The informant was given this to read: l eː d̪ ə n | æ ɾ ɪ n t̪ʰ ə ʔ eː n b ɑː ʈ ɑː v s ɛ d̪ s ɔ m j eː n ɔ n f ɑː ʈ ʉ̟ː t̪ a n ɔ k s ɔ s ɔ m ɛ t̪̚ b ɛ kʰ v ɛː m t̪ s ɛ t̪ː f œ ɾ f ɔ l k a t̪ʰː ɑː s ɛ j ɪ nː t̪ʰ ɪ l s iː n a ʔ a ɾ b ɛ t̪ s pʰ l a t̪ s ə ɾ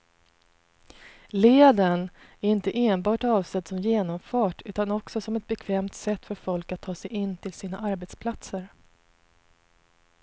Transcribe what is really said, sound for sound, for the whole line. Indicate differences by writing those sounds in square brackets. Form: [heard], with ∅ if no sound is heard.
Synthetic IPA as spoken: l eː d̪ ə n | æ ɾ ɪ n [t̪] ə ʔ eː n b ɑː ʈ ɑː v s ɛ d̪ s ɔ m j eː n ɔ [m] f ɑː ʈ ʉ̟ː t̪ a n ɔ k s ɔ s ɔ m ɛ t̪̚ b ɛ kʰ v ɛː m t̪ s ɛ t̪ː f œ ɾ f ɔ l k a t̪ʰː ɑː s ɛ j ɪ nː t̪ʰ ɪ l s iː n a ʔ a ɾ b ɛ t̪ s pʰ l a t̪ s ə ɾ

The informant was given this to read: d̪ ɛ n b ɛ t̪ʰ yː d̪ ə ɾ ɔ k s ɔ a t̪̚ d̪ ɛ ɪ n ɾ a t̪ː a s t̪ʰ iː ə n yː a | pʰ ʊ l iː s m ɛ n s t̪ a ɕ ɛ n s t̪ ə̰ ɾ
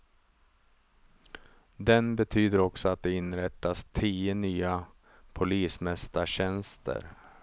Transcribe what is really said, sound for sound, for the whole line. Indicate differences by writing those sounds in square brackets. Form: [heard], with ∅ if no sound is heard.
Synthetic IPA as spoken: d̪ ɛ n b ɛ t̪ʰ yː d̪ ə ɾ ɔ k s ɔ a t̪̚ d̪ ɛ ɪ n ɾ [ɛ] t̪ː a s t̪ʰ iː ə n yː a | pʰ ʊ l iː s m ɛ [∅] s t̪ a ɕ ɛ n s t̪ ə̰ ɾ

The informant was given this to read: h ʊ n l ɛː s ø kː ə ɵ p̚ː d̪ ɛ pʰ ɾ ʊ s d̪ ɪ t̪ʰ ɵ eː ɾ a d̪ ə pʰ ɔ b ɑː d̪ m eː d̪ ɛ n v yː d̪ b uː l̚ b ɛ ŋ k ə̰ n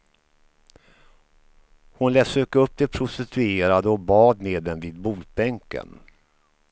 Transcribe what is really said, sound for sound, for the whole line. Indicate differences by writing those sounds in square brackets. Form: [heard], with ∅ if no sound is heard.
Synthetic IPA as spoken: h ʊ n l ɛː s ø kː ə ɵ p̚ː d̪ ɛ pʰ ɾ ʊ s [t̪] ɪ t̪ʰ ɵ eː ɾ a d̪ ə [∅] ɔ b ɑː d̪ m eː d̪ ɛ n v [iː] d̪ b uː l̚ b ɛ ŋ k ə̰ n

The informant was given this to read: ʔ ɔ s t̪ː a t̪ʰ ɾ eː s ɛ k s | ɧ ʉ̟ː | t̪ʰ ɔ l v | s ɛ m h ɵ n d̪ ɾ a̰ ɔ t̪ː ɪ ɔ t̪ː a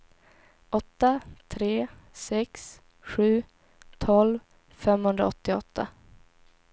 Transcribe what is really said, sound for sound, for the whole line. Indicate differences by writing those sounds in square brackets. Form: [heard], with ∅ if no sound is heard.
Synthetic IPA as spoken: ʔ ɔ [∅] t̪ː a t̪ʰ ɾ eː s ɛ k s | ɧ ʉ̟ː | t̪ʰ ɔ l v | [f] ɛ m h ɵ n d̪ ɾ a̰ ɔ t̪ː ɪ ɔ t̪ː a

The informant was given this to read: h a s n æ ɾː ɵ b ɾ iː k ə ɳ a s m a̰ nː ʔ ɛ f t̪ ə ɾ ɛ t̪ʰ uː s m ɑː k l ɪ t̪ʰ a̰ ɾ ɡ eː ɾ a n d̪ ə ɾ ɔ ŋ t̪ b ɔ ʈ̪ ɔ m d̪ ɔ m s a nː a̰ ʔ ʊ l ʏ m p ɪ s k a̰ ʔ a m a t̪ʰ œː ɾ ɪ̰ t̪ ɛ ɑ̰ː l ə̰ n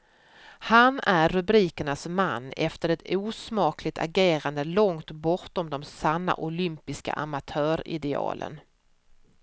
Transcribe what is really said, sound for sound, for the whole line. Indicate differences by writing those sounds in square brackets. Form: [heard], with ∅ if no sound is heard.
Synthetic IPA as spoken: h a [∅] n æ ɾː ɵ b ɾ iː k ə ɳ a s m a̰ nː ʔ ɛ f t̪ ə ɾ ɛ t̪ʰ uː s m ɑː k l ɪ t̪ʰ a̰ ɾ ɡ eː ɾ a n d̪ ə [l] ɔ ŋ t̪ b ɔ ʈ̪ ɔ m d̪ ɔ m s a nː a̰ ʔ ʊ l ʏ m p ɪ s k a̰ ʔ a m a t̪ʰ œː ɾ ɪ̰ [d̪] ɛ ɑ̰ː l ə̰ n

